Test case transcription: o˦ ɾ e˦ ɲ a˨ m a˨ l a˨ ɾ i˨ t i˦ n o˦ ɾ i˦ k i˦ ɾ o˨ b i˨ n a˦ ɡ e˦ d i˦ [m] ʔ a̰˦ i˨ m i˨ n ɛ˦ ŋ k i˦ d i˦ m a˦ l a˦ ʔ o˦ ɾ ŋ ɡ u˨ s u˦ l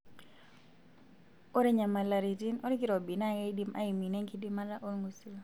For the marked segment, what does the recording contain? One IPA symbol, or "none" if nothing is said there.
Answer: m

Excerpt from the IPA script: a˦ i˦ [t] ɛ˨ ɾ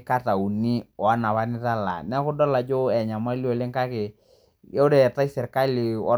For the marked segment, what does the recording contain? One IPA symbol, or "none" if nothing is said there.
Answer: s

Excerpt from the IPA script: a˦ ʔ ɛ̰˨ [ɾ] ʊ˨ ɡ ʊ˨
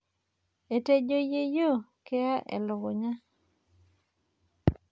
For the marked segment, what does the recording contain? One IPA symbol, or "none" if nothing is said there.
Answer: l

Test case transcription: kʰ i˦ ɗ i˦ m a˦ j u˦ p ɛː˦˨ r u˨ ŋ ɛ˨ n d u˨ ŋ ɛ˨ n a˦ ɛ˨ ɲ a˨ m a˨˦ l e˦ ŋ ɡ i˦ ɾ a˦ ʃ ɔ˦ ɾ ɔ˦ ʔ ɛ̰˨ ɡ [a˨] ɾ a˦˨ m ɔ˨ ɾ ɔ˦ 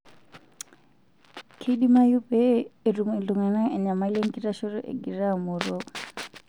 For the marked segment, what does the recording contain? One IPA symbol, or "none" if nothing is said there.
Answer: i˨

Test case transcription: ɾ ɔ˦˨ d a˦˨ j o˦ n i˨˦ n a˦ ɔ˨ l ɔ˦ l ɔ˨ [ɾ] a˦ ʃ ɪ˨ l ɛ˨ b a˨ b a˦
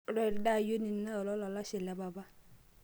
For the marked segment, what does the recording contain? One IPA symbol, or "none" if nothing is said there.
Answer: l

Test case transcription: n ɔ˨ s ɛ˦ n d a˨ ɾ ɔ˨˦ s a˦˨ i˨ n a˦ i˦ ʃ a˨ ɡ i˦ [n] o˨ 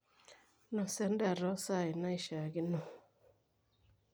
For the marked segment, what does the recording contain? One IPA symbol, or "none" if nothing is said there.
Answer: n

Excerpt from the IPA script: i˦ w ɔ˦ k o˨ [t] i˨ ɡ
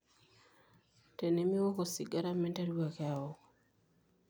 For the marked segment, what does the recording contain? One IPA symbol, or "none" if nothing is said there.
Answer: s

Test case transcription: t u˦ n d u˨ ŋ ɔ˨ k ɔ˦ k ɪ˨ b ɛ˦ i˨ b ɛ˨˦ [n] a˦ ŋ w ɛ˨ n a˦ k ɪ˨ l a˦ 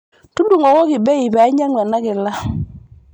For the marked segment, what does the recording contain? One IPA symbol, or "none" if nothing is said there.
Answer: ɲ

